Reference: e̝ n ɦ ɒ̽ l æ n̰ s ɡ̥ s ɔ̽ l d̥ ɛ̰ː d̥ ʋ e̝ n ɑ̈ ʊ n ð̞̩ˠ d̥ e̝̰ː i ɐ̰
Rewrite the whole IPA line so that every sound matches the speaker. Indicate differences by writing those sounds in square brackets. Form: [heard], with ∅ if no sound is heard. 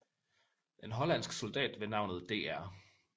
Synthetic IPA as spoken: e̝ n ɦ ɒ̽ l æ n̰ s ɡ̥ s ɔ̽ l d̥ ɛ̰ː d̥ ʋ e̝ n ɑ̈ ʊ n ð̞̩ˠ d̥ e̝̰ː [æ] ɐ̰